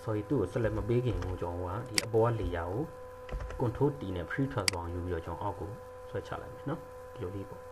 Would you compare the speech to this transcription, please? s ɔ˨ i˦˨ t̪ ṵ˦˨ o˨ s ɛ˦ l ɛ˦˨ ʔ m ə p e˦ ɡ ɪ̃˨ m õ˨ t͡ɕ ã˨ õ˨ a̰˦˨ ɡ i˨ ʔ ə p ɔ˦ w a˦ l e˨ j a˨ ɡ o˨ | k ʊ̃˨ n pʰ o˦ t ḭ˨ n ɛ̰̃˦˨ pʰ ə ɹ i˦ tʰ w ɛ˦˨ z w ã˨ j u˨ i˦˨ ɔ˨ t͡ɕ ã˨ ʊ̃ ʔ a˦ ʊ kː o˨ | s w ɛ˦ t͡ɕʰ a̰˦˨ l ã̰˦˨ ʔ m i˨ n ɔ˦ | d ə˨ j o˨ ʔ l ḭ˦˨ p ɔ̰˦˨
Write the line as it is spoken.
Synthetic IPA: s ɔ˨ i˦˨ t̪ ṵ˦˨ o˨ s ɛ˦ l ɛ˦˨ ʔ m ə p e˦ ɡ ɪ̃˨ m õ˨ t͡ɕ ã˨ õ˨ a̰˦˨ d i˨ ʔ ə p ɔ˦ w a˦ l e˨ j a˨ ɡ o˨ | k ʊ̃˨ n tʰ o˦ t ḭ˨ n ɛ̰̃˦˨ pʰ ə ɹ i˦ tʰ w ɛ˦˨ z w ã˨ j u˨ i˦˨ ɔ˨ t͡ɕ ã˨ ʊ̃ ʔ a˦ ʊ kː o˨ | s w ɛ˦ t͡ɕʰ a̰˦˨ l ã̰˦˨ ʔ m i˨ n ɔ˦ | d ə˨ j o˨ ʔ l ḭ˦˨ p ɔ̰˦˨